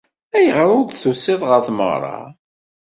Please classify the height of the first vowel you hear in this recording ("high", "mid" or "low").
low